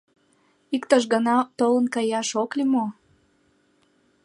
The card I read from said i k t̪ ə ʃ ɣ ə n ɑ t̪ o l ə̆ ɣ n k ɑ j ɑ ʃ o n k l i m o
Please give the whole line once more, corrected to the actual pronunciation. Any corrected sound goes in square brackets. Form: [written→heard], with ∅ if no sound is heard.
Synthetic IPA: i k t̪ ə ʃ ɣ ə n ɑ t̪ o l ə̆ [ɣ→∅] n k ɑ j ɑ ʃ o [n→∅] k l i m o